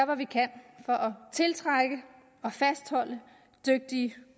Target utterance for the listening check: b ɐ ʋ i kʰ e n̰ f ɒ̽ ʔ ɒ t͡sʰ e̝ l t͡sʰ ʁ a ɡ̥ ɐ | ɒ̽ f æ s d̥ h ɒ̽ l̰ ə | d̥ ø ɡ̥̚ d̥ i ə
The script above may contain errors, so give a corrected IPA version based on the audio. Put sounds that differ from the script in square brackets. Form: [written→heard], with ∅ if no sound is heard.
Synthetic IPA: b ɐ ʋ i kʰ [e→æ] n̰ f ɒ̽ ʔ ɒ t͡sʰ e̝ l t͡sʰ ʁ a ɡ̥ [ɐ→ə] | ɒ̽ f æ s d̥ h ɒ̽ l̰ ə | d̥ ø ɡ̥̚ d̥ i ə

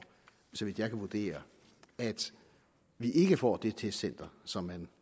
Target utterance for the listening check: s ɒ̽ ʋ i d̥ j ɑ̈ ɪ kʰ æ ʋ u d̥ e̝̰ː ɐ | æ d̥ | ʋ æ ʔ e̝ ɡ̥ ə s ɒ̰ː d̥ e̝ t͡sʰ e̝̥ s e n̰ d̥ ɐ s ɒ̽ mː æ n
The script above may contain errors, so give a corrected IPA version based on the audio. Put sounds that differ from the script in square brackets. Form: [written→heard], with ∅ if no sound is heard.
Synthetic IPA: s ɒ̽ ʋ i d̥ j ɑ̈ ɪ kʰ æ ʋ u d̥ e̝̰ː ɐ | æ d̥ | ʋ [æ→i] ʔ e̝ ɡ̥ ə [s→f] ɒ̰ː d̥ e̝ t͡sʰ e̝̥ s e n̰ d̥ ɐ s ɒ̽ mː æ n

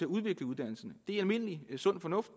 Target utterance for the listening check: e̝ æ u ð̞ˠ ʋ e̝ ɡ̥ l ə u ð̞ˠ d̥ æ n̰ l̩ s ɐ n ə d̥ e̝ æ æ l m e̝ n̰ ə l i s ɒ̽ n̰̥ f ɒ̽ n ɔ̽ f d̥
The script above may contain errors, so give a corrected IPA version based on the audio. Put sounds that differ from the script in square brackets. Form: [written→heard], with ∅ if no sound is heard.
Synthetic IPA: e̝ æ u ð̞ˠ ʋ e̝ ɡ̥ l ə u ð̞ˠ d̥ æ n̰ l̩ s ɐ n ə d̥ e̝ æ æ l m e̝ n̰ ə l i s [ɒ̽→ɔ̽] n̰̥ f ɒ̽ n ɔ̽ f d̥

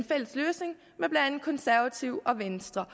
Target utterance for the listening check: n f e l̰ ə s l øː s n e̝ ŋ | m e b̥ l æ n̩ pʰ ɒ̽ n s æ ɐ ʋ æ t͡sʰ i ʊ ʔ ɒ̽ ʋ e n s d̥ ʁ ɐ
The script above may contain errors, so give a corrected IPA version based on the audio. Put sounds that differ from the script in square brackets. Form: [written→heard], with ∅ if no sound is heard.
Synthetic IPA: n f e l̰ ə s l øː s n e̝ ŋ | m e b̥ l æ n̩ [pʰ→kʰ] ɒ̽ n s æ ɐ ʋ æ t͡sʰ i ʊ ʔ ɒ̽ ʋ e n s d̥ ʁ ɐ

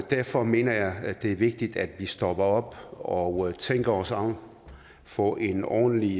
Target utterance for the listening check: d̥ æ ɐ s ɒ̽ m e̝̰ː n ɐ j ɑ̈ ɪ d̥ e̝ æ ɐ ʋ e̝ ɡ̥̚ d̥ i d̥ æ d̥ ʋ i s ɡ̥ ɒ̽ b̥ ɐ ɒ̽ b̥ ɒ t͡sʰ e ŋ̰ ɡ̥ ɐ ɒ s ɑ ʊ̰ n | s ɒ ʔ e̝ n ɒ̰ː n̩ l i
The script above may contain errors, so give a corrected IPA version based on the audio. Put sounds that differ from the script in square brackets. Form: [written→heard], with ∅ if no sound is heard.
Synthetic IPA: d̥ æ ɐ [s→f] ɒ̽ m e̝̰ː n ɐ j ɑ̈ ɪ d̥ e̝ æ ɐ ʋ e̝ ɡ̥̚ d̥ i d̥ æ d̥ ʋ i s [ɡ̥→d̥] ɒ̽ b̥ ɐ ɒ̽ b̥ ɒ t͡sʰ e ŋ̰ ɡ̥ ɐ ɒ s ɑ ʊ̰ n | [s→f] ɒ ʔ e̝ n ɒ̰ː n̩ l i

